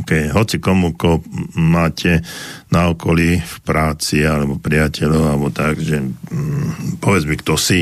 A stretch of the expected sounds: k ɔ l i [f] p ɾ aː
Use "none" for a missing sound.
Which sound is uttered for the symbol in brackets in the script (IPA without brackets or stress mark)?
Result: f